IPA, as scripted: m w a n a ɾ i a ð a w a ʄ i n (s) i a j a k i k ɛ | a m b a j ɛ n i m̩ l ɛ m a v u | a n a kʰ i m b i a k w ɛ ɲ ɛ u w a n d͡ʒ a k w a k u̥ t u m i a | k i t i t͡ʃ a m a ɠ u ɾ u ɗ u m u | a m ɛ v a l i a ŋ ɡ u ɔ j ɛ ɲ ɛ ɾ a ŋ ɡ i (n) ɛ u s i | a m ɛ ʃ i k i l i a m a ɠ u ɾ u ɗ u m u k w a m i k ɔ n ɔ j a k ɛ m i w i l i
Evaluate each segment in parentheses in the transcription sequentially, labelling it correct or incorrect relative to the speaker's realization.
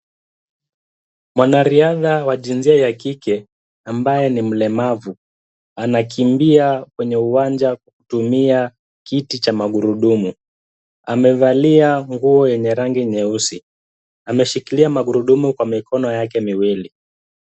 incorrect, incorrect

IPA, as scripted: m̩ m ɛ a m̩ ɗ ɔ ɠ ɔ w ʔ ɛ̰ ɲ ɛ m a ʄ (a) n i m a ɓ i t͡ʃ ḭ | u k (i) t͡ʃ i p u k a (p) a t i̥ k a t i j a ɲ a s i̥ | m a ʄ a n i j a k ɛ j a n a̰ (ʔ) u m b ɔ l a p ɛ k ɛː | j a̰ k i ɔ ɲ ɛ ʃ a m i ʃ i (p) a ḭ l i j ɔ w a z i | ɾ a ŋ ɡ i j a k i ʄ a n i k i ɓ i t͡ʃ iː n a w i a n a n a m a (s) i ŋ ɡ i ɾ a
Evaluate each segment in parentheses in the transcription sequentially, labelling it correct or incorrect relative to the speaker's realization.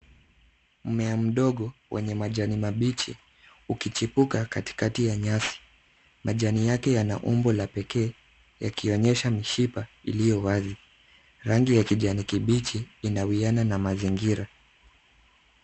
correct, correct, incorrect, correct, correct, incorrect

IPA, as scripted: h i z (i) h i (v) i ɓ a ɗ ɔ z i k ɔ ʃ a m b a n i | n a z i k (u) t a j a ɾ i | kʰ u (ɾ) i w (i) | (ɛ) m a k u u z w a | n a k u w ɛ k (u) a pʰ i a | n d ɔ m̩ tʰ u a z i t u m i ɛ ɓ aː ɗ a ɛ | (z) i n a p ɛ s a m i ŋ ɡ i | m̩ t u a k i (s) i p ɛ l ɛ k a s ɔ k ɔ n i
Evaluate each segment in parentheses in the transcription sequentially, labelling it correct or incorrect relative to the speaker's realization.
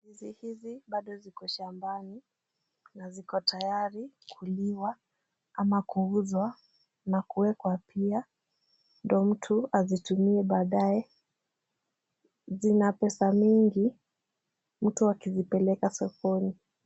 correct, incorrect, incorrect, incorrect, incorrect, incorrect, incorrect, correct, incorrect

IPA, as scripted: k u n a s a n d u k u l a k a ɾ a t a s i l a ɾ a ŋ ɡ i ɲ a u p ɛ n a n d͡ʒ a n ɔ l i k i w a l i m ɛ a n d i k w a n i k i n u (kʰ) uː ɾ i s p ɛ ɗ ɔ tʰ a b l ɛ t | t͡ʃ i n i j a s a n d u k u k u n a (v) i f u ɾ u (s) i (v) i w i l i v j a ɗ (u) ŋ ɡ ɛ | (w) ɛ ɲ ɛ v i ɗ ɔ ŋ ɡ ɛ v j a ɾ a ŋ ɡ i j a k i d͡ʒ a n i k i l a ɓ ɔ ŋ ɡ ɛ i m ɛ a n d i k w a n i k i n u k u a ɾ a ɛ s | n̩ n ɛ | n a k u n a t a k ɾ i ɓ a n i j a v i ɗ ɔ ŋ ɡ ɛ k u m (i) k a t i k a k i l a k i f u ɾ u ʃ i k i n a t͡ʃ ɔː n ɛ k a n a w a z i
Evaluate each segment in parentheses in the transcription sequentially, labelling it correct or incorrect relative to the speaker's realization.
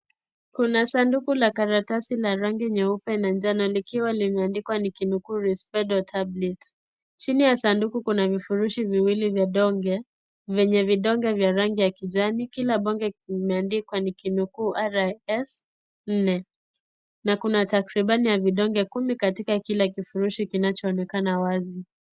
incorrect, correct, incorrect, correct, incorrect, incorrect, correct

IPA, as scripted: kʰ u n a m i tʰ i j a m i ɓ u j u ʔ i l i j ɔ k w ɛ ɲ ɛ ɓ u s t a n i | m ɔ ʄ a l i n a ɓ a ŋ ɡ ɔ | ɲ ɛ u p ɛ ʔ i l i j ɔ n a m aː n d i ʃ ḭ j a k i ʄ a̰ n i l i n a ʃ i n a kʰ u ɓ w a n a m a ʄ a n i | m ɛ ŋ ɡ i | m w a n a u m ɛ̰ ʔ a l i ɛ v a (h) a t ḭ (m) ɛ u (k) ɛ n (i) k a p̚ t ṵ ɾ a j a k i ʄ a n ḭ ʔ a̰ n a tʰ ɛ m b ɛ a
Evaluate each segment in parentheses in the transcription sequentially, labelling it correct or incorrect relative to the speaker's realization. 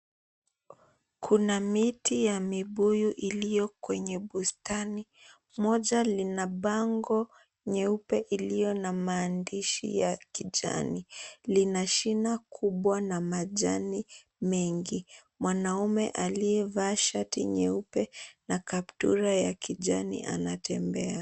incorrect, incorrect, incorrect, incorrect

